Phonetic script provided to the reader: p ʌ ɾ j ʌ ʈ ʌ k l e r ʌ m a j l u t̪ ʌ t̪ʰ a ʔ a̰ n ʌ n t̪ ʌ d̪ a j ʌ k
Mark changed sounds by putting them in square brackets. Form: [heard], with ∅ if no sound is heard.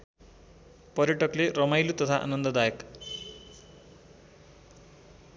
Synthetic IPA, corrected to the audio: p ʌ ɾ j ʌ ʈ ʌ k l e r ʌ m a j l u t̪ ʌ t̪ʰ a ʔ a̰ n ʌ n [d̪] ʌ d̪ a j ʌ k